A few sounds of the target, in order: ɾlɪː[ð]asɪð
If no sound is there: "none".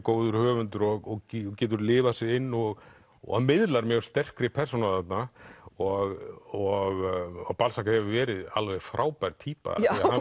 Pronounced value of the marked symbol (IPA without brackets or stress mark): v